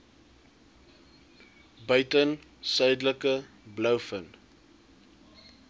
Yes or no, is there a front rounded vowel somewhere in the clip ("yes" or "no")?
yes